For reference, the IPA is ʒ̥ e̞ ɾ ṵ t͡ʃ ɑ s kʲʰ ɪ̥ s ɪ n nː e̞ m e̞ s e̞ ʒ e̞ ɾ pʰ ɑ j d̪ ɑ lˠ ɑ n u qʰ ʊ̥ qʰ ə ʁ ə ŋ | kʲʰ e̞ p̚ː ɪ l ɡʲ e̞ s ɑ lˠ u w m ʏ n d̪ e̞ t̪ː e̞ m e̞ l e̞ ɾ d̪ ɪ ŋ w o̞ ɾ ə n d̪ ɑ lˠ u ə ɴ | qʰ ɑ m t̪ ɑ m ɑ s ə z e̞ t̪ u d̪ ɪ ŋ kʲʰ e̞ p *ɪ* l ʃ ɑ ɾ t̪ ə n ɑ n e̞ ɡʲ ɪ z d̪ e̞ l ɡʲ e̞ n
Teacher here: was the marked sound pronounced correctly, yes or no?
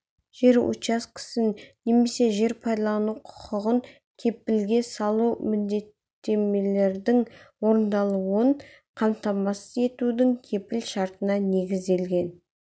yes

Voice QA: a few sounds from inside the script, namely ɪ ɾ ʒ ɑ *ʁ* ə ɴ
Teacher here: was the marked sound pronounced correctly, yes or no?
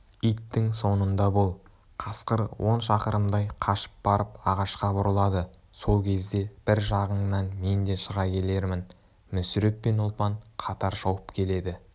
yes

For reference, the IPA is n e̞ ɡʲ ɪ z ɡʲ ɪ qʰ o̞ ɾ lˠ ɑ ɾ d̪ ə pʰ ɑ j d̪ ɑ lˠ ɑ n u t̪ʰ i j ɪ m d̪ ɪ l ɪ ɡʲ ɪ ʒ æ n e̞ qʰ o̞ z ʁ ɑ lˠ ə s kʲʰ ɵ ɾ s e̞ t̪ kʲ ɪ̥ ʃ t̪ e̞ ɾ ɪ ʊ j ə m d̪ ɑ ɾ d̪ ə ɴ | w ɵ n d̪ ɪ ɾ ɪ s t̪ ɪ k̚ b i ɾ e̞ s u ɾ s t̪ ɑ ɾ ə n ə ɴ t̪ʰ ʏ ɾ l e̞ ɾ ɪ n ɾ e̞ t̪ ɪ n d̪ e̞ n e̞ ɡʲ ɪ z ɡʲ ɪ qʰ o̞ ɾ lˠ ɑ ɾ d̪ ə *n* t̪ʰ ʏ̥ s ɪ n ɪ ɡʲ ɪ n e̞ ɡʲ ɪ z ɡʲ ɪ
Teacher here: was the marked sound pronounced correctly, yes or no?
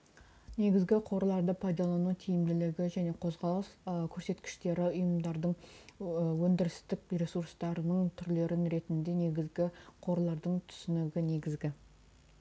no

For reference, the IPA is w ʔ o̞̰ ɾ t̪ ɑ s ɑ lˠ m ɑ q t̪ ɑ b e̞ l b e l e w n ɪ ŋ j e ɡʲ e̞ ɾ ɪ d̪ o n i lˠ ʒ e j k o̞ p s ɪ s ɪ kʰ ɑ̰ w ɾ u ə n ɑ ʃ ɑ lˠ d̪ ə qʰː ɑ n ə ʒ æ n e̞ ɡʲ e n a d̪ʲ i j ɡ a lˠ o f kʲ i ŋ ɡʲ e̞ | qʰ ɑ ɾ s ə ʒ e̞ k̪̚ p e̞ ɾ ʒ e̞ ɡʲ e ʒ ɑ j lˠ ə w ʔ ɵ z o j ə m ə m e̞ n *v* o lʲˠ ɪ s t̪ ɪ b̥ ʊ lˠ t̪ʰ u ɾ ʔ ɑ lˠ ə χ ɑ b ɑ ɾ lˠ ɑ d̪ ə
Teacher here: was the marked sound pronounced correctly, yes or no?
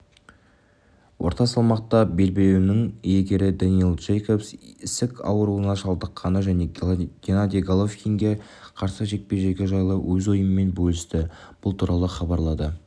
no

